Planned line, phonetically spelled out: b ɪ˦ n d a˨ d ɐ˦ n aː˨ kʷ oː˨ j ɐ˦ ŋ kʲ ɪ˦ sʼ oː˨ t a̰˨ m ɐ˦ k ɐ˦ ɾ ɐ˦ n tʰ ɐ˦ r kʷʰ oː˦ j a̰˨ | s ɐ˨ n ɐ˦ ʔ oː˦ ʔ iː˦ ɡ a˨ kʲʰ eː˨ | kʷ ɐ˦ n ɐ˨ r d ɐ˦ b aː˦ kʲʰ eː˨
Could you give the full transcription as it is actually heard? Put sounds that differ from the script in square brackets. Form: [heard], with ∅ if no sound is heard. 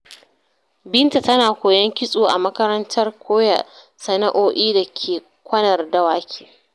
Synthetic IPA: b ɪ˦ n [t] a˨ [t] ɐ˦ n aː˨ kʷ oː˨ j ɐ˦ ŋ kʲ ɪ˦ sʼ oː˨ [ʔ] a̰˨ m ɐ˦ k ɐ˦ ɾ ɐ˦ n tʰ ɐ˦ r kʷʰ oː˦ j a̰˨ | s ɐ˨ n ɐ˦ ʔ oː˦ ʔ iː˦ [d] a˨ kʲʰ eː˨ | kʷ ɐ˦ n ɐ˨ r d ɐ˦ [w] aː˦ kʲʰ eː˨